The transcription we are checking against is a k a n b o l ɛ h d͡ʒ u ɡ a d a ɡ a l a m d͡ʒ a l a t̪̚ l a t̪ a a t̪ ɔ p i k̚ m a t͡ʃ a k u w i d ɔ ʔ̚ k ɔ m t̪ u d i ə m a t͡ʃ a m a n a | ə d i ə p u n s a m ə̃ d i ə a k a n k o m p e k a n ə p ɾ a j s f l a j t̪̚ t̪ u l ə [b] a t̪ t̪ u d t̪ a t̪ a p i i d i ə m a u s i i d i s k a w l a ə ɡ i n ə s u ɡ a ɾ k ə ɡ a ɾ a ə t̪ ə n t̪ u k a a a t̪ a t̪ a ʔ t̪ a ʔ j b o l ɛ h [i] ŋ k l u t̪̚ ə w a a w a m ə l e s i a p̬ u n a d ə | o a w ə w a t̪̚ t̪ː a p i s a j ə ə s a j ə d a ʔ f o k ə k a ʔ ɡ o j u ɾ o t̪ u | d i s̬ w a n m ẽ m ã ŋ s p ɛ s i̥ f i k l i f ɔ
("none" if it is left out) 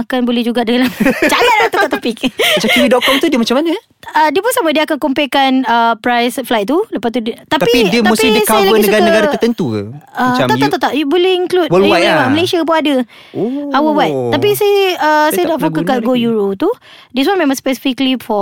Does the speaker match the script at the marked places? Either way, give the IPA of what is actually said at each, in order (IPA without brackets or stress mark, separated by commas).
p, i